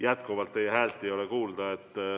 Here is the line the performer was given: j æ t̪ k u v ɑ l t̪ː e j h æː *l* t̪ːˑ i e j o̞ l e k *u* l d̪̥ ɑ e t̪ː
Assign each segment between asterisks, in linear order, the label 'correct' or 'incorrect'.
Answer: correct, incorrect

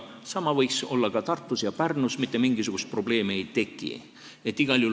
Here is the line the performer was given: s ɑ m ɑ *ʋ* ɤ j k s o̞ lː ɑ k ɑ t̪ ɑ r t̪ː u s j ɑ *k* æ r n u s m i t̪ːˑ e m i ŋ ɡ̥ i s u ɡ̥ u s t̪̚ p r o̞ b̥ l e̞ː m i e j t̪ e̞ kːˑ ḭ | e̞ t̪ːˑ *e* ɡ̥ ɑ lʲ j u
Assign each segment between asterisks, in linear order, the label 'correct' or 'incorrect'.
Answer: incorrect, incorrect, incorrect

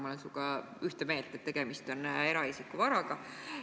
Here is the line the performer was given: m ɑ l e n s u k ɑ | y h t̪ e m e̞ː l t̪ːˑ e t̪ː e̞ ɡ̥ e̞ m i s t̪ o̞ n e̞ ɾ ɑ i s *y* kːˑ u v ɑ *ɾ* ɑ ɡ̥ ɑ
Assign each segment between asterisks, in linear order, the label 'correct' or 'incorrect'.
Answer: incorrect, correct

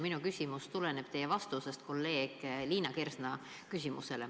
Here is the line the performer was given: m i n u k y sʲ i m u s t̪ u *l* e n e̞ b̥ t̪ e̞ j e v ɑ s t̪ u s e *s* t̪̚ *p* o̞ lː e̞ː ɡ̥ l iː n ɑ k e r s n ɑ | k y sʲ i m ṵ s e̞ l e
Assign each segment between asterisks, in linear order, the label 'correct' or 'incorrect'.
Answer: correct, correct, incorrect

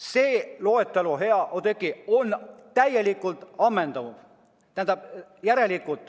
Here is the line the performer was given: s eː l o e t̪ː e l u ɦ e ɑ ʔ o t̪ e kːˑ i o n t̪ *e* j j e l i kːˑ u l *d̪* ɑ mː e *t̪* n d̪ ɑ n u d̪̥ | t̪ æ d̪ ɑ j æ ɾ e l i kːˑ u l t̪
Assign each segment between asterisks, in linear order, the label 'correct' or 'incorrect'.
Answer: incorrect, incorrect, incorrect

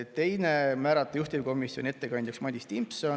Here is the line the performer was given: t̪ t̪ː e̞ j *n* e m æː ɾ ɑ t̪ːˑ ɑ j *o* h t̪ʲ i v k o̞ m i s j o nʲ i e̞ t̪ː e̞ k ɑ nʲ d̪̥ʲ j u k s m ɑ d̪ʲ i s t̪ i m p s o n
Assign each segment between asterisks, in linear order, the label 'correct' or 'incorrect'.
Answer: correct, incorrect

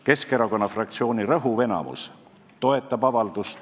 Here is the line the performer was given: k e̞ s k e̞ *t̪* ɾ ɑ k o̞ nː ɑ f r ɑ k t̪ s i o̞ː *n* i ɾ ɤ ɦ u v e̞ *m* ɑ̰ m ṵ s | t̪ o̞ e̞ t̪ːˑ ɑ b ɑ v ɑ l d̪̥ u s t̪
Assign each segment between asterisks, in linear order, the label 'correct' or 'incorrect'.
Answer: incorrect, correct, incorrect

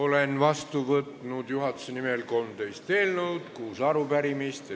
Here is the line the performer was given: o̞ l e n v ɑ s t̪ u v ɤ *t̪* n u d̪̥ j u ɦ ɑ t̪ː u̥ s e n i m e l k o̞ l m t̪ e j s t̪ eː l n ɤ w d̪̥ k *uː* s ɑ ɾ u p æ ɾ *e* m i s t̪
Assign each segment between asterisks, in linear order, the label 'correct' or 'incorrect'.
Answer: correct, correct, incorrect

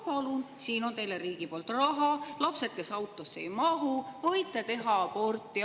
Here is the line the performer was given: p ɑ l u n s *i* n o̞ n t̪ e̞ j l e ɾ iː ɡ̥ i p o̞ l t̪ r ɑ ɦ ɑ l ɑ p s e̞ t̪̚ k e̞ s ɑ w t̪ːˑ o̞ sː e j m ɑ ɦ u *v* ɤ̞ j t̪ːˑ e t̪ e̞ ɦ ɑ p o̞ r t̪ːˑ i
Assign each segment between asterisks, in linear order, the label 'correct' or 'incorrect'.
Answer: incorrect, correct

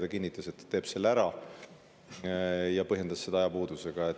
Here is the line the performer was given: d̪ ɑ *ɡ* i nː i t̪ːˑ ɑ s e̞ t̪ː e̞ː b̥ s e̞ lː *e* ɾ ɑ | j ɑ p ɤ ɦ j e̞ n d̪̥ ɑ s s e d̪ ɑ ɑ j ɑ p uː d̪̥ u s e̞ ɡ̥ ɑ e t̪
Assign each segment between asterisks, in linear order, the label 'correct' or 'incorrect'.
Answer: incorrect, incorrect

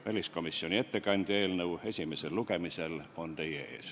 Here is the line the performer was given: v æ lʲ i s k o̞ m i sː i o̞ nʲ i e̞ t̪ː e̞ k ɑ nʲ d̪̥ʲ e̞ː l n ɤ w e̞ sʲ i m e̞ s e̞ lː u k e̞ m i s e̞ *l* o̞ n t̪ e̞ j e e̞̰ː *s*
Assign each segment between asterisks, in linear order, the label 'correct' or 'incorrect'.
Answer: correct, correct

